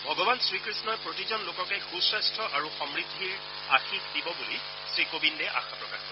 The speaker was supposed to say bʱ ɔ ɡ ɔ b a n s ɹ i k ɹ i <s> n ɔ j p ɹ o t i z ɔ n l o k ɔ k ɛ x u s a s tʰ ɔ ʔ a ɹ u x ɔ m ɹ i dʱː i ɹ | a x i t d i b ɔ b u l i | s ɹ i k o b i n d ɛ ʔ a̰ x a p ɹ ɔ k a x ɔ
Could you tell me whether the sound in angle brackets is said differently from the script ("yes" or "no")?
no